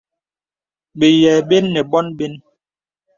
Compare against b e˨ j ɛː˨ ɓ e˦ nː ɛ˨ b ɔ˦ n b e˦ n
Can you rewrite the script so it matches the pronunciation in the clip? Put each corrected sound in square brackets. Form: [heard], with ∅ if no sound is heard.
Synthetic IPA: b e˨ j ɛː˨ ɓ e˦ nː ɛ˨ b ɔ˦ n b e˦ n